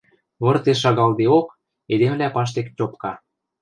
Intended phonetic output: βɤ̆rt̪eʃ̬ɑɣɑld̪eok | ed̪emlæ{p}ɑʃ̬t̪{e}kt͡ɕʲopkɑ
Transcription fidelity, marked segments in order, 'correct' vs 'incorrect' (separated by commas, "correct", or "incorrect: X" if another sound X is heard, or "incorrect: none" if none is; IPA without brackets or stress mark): correct, correct